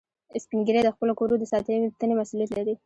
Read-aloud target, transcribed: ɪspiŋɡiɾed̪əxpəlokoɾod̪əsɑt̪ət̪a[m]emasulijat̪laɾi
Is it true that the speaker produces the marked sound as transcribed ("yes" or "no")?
no